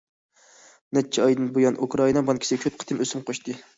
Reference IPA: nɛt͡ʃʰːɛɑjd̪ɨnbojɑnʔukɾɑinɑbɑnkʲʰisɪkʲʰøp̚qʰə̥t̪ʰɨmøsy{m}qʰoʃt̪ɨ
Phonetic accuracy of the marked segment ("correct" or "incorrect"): correct